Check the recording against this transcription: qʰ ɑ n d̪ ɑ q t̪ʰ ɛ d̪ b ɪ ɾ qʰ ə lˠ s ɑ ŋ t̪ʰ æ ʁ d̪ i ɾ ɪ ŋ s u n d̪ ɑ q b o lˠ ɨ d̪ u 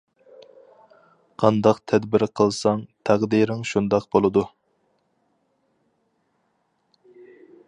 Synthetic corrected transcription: qʰ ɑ n d̪ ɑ q t̪ʰ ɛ d̪ b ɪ ɾ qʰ ə lˠ s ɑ ŋ t̪ʰ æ ʁ d̪ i ɾ ɪ ŋ ʃ u n d̪ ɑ q b o lˠ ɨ d̪ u

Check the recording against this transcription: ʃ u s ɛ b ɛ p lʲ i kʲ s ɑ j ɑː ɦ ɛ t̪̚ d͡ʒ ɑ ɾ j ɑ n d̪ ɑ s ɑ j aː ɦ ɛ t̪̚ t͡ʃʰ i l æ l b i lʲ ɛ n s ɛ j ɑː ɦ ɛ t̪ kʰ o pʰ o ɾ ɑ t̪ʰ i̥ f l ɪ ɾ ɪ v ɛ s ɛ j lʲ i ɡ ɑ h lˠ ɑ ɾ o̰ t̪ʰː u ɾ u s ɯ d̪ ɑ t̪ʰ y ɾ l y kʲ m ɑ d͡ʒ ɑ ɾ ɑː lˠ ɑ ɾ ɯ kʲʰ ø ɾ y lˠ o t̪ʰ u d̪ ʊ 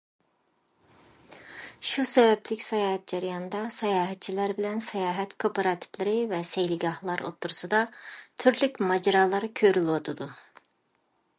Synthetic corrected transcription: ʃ u s ɛ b ɛ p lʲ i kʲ s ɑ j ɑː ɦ ɛ t̪̚ d͡ʒ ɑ ɾ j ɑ n d̪ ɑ s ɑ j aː ɦ ɛ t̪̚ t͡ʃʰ i l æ ɾ b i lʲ ɛ n s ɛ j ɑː ɦ ɛ t̪ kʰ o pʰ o ɾ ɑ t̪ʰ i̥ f l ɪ ɾ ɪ v ɛ s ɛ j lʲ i ɡ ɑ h lˠ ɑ ɾ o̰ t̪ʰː u ɾ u s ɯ d̪ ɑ t̪ʰ y ɾ l y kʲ m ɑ d͡ʒ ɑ ɾ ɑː lˠ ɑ ɾ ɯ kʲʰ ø ɾ y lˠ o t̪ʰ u d̪ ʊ

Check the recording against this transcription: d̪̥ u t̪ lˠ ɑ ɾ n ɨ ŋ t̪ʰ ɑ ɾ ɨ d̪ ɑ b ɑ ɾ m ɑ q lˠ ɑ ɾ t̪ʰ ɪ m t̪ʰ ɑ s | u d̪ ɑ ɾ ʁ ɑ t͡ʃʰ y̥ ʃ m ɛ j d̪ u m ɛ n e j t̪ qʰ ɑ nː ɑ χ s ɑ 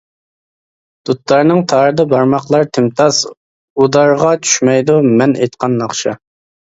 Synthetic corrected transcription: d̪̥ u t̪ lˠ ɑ ɾ n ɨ ŋ t̪ʰ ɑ ɾ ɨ d̪ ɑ b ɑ ɾ m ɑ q lˠ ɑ ɾ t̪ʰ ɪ m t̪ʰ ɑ s | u d̪ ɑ ɾ ʁ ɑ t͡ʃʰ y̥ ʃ m ɛ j d̪ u m ɛ n e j t̪ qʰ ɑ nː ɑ χ ʃ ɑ

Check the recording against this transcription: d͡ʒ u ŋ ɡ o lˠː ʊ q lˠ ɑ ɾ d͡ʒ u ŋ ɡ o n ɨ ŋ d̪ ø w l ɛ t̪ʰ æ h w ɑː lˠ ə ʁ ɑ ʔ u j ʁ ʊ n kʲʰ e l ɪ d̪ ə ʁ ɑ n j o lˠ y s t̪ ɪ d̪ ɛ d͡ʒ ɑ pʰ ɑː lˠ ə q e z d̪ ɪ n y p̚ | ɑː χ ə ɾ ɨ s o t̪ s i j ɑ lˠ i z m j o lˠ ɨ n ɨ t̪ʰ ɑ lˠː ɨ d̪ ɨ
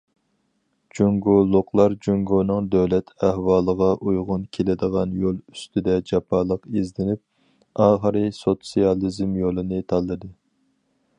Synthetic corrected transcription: d͡ʒ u ŋ ɡ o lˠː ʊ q lˠ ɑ ɾ d͡ʒ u ŋ ɡ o n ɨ ŋ d̪ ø w l ɛ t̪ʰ æ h w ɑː lˠ ə ʁ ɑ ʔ u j ʁ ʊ n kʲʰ e l ɪ d̪ ə ʁ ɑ n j o lˠ y s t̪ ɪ d̪ ɛ d͡ʒ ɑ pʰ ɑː lˠ ə q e z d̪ ɪ n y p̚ | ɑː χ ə ɾ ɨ s o t̪ s i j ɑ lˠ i z m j o lˠ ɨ n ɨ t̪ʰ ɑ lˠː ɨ d̪ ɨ

